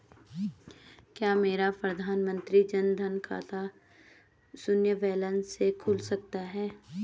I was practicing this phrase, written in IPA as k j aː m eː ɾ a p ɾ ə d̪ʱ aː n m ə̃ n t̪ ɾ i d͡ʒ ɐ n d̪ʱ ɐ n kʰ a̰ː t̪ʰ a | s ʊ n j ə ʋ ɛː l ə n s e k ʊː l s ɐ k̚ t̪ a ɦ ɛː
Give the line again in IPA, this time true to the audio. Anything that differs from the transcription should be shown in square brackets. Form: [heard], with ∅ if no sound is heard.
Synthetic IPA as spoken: k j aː m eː ɾ a p ɾ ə d̪ʱ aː n m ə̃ n t̪ ɾ i d͡ʒ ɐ n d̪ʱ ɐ n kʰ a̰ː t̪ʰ a | s ʊ n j ə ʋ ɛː l ə n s e [kʰ] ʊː l s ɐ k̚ t̪ a ɦ ɛː